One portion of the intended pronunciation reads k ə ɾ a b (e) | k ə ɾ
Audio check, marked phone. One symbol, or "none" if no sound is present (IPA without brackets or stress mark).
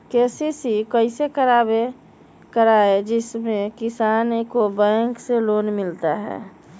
e